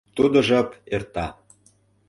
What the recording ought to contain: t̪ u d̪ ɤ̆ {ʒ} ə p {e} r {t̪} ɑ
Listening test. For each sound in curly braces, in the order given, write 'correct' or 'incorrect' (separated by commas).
correct, correct, correct